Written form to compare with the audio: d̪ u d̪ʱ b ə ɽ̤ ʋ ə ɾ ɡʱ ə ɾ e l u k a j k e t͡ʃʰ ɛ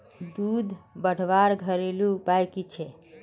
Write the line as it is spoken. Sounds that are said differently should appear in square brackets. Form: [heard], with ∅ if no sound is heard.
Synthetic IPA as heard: d̪ u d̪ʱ b ə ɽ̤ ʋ [a] ɾ ɡʱ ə ɾ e l u [p] a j k [i] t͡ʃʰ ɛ